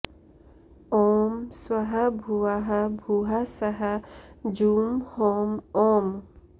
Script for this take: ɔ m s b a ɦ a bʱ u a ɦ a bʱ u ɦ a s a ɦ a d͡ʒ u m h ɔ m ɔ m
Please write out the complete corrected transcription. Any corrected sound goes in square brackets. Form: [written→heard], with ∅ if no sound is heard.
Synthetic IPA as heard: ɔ m s [b→w] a ɦ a bʱ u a ɦ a bʱ u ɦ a s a ɦ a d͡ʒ u m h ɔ m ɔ m